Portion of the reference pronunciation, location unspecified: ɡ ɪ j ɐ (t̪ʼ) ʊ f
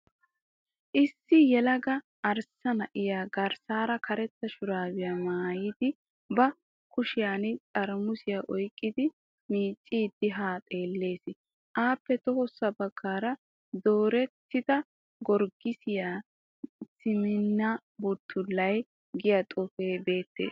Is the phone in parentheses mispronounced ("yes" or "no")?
no